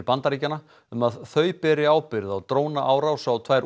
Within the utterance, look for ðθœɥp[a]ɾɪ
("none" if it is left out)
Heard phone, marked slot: ɛ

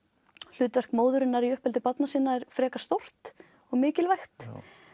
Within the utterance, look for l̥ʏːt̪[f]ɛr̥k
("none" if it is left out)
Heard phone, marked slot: v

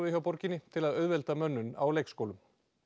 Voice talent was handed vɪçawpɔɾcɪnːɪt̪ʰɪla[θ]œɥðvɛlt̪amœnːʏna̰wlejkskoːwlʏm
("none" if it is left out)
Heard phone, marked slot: ð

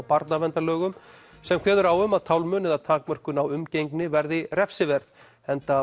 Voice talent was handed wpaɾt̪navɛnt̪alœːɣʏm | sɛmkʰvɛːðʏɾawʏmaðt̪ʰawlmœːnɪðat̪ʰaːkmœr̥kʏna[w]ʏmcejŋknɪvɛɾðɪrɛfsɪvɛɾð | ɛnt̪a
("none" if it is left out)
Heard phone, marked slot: w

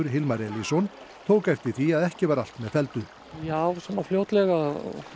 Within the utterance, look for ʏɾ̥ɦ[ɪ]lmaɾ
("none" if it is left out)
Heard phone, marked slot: ɪ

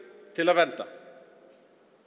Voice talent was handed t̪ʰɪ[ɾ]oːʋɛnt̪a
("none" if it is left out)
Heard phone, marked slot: l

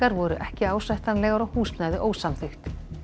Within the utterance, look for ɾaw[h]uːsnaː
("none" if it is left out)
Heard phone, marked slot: h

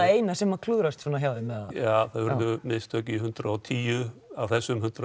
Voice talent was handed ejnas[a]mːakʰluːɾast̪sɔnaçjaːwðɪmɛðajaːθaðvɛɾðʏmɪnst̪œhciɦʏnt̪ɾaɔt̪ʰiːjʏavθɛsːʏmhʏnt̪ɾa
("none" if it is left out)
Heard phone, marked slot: ɛ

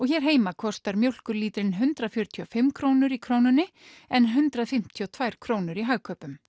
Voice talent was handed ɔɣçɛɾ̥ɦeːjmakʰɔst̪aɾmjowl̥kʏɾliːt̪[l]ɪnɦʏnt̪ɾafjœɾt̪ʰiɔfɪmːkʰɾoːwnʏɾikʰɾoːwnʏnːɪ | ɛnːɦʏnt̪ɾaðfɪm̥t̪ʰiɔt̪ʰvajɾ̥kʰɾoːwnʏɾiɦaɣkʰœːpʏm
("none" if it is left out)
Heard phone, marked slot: ɾ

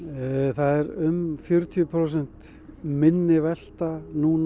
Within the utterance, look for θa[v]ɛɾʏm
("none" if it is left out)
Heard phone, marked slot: ð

